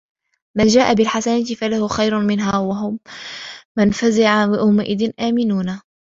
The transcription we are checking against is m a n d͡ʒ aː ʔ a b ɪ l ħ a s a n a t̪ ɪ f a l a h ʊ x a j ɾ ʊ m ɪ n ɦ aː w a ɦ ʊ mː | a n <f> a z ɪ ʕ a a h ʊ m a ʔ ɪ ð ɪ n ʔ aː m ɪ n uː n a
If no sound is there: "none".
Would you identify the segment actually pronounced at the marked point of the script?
f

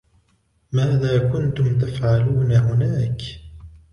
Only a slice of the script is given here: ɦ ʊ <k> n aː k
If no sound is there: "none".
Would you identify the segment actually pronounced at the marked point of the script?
none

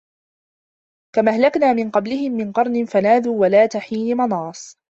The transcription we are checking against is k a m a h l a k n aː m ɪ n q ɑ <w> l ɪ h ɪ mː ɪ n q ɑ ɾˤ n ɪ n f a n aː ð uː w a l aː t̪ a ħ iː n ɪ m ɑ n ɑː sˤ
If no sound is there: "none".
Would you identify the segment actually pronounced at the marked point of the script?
b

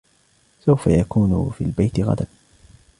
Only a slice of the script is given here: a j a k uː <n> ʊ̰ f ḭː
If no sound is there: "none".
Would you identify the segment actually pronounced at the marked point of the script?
n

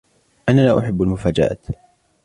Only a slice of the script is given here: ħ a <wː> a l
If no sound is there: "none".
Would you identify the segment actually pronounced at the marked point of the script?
bː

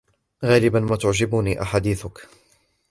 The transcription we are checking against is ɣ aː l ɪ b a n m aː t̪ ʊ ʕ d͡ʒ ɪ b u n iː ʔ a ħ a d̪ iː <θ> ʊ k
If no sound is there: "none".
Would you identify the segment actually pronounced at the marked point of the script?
θ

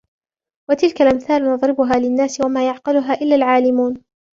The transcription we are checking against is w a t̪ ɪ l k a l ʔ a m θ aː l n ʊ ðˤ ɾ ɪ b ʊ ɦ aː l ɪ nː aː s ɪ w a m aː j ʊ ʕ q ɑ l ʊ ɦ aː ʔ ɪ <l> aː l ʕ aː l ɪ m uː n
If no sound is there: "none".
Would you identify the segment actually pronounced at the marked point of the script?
lː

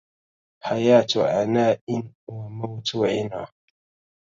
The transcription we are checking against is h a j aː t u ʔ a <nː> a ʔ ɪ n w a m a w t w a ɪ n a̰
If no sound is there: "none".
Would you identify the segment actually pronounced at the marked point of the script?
n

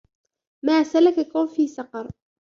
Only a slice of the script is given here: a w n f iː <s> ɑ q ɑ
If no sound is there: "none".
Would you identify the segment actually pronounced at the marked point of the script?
s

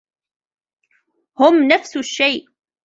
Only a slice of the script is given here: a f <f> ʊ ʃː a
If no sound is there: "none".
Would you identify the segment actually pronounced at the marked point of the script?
s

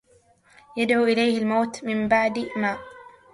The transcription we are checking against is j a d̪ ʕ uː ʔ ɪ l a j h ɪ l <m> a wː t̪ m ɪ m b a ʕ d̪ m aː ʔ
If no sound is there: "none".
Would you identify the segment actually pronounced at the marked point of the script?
m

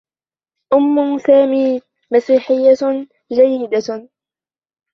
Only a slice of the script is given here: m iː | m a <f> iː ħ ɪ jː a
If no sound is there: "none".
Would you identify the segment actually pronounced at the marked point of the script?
s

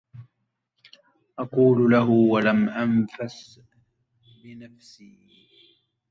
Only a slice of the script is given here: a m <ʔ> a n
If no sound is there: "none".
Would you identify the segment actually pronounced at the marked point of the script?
ʔ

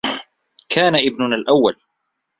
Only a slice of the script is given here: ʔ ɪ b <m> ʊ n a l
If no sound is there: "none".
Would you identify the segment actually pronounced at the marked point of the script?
n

